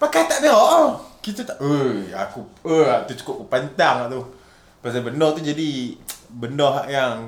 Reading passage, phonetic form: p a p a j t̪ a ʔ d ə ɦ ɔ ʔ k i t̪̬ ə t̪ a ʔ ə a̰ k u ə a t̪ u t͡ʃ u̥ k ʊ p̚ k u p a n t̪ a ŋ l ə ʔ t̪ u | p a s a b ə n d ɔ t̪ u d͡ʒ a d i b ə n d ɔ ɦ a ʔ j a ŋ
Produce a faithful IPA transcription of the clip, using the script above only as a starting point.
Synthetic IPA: p a k a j t̪ a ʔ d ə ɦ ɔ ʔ k i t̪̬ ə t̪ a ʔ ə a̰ k u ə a t̪ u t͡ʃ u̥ k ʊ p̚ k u p a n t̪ a ŋ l a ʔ t̪ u | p a s a b ə n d ɔ t̪ u d͡ʒ a d i b ə n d ɔ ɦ a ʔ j a ŋ